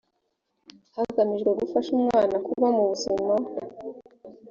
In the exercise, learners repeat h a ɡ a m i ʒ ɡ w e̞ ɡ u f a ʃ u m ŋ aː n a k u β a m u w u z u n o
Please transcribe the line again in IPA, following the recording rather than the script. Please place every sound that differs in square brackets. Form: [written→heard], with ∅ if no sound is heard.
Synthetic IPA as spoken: h a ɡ a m i ʒ ɡ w e̞ ɡ u f a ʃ u m ŋ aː n a k u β a m u [w→β] u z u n o